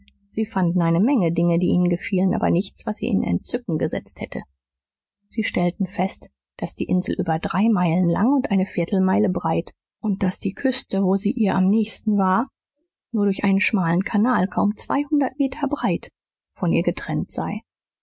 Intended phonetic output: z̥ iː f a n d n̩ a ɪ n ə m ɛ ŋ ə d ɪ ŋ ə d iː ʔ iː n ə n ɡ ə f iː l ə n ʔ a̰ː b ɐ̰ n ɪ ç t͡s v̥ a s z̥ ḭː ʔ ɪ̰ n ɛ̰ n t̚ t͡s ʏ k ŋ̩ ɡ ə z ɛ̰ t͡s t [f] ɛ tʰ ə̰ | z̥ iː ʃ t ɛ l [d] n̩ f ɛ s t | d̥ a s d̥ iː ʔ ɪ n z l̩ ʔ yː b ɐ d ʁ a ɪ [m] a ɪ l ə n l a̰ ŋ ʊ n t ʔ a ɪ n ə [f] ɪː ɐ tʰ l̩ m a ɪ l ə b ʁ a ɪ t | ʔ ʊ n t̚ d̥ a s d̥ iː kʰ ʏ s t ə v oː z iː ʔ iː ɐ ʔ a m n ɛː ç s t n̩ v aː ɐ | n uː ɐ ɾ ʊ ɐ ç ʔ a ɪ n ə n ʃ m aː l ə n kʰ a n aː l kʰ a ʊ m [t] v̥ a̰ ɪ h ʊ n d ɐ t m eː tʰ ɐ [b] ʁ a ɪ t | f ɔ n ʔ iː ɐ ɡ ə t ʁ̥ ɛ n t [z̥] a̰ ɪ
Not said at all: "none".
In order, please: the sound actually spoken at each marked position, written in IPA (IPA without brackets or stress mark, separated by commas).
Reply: h, t, m, f, t͡s, b, z̥